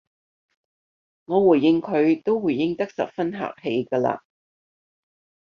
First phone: ŋ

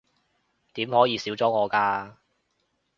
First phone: t̪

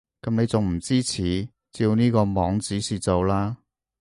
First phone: k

